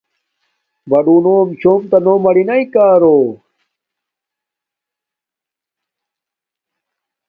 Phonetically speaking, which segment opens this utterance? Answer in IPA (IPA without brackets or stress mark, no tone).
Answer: b